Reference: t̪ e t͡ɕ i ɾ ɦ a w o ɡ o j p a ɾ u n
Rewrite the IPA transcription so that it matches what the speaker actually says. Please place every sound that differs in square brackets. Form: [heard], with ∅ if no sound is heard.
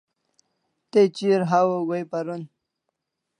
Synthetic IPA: t̪ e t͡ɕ i ɾ ɦ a w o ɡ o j p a ɾ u n